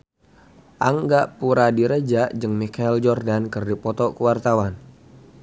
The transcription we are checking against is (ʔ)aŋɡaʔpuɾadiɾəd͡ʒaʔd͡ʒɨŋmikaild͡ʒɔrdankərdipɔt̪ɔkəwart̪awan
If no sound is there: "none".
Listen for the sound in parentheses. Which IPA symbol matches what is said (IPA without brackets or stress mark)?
ʔ